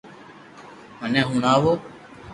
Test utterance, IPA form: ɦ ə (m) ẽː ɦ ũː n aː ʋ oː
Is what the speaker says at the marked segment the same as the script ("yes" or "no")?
no